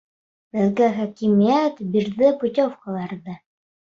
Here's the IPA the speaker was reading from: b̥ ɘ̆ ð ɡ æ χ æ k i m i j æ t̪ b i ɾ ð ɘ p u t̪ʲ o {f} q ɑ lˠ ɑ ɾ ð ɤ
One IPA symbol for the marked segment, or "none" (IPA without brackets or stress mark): f